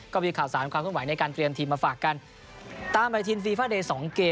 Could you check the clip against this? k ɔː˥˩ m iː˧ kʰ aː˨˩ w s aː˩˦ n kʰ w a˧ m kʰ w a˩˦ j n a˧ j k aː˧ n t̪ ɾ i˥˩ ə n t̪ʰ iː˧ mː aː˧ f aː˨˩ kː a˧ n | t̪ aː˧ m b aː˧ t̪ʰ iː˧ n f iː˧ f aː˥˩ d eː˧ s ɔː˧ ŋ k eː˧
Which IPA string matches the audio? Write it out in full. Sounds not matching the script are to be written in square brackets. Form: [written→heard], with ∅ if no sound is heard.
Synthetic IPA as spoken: k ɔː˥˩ m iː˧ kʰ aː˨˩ w s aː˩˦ n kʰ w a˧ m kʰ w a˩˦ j n a˧ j k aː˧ n t̪ ɾ [i˥˩→i˧] ə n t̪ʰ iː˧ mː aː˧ f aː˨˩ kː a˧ n | t̪ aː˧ m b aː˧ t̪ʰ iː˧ n f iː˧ f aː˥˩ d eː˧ s [ɔː˧→ɔː˩˦] ŋ k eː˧